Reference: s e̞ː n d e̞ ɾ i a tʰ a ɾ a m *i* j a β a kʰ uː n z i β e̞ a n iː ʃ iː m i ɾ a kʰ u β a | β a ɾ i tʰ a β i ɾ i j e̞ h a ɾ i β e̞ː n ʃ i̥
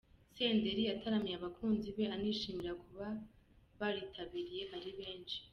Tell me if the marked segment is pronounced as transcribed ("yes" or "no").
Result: yes